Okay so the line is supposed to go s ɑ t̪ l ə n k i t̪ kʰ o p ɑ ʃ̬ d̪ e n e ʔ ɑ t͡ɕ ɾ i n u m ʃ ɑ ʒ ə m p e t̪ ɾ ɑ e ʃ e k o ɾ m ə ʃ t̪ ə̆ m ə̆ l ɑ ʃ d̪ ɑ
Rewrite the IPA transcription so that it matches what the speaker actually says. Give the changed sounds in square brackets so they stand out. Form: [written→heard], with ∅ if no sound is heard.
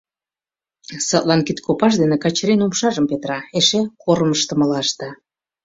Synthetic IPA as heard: s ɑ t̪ l [ə→ɑ] n k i t̪ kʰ o p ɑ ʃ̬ d̪ e n e [ʔ→k] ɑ t͡ɕ ɾ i n u m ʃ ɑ ʒ ə m p e t̪ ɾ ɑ e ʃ e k o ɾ m ə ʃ t̪ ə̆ m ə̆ l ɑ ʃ [d̪→t̪] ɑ